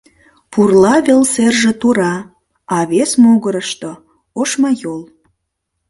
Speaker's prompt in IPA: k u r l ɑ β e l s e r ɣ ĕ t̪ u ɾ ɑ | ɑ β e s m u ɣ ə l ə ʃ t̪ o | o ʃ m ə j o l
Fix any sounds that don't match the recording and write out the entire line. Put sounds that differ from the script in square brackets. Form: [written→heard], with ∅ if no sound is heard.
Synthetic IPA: [k→p] u r l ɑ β e l s e r [ɣ→ʒ] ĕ t̪ u ɾ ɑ | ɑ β e s m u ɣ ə [l→ɾ] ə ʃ t̪ o | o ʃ m [ə→ɑ] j o l